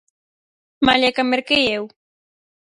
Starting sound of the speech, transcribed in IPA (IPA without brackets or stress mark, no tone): m